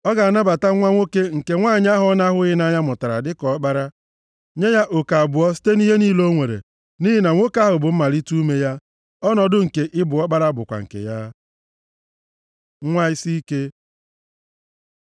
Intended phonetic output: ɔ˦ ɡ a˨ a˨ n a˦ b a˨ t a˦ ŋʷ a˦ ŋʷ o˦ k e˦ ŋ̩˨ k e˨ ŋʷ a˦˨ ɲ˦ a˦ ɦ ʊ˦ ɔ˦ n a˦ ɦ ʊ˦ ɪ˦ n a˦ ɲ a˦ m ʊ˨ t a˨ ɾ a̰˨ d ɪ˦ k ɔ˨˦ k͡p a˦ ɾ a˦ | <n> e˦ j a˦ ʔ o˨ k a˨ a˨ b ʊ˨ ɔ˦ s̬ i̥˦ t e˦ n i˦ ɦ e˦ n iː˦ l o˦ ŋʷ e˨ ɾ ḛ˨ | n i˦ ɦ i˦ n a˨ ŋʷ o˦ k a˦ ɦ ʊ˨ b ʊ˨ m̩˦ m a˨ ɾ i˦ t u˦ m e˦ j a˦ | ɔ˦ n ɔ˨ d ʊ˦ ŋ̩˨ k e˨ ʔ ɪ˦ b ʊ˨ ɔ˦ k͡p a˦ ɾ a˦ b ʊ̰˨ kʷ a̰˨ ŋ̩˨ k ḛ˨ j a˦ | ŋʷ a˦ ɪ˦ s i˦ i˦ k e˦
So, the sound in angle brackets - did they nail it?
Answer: no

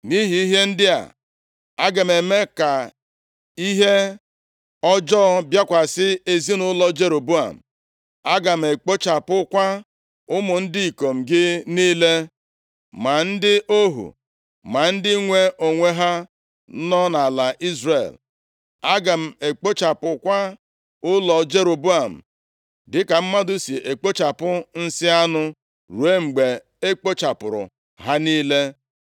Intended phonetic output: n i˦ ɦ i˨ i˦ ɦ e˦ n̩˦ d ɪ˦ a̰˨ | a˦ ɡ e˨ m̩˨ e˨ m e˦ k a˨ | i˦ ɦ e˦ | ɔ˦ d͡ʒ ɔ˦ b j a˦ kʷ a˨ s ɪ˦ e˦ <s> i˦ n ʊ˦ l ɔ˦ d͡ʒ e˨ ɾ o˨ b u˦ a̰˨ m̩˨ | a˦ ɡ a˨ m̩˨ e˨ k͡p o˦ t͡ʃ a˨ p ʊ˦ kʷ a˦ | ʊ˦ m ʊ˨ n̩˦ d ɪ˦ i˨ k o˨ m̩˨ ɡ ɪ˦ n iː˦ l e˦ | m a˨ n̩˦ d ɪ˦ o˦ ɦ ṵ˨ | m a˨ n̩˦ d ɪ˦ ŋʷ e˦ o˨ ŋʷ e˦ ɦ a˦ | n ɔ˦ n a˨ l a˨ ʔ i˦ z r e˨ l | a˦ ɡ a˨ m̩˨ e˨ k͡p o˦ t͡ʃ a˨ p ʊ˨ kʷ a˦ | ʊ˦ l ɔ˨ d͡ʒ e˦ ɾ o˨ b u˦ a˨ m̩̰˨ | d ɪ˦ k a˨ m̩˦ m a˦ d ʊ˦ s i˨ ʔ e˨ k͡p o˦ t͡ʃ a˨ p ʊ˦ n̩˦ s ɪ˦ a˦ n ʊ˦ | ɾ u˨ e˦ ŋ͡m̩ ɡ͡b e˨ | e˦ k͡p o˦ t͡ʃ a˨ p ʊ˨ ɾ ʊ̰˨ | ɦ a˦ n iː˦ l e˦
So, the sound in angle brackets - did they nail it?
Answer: no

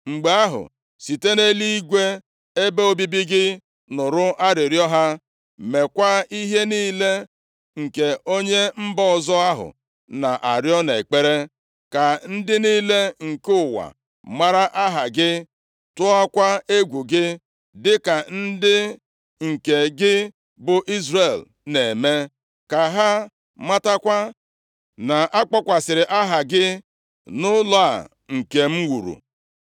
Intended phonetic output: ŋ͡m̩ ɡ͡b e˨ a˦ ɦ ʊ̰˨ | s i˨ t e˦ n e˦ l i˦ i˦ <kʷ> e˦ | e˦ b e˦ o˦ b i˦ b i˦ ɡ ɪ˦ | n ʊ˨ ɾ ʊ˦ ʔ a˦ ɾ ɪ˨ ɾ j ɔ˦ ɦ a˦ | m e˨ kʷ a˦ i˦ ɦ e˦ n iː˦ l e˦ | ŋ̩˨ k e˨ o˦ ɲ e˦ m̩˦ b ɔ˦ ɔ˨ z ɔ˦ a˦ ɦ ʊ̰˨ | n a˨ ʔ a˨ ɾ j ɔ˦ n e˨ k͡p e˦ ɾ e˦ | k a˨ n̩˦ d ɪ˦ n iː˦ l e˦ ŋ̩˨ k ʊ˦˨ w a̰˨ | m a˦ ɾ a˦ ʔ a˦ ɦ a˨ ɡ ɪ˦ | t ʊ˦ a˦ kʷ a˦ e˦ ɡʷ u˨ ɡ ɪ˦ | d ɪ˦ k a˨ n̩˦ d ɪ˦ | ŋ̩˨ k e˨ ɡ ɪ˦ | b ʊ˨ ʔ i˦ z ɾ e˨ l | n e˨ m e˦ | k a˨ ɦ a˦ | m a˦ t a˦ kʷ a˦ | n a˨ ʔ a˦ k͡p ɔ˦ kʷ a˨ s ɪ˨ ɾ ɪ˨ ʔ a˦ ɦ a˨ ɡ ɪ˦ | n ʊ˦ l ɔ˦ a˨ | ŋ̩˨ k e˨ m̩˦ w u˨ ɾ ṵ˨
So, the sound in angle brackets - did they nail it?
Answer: no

